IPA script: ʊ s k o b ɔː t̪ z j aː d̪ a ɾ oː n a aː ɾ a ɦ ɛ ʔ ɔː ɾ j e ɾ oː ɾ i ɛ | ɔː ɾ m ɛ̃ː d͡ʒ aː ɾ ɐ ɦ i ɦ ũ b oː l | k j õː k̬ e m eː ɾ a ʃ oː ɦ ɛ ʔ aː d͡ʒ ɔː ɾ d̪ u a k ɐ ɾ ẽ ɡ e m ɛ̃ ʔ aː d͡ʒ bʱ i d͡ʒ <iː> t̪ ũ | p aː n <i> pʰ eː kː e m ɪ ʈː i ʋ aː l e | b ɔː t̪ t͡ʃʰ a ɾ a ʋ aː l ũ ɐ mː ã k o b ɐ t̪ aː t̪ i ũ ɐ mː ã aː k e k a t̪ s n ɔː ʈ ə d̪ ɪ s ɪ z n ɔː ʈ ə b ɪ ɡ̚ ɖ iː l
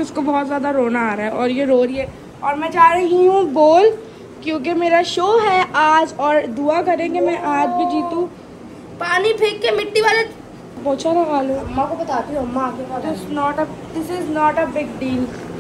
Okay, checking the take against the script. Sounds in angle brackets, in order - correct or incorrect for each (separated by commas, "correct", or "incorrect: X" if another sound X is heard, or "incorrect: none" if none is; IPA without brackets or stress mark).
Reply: correct, correct